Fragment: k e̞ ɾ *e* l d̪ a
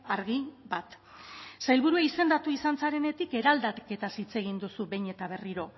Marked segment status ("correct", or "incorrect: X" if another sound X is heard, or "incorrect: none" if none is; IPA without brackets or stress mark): incorrect: a